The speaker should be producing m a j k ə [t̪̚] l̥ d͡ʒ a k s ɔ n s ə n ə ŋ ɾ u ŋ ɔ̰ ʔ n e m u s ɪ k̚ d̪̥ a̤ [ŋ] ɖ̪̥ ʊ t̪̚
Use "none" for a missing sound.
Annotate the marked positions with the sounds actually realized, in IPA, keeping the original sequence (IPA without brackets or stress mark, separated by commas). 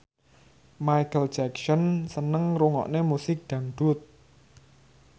none, ŋ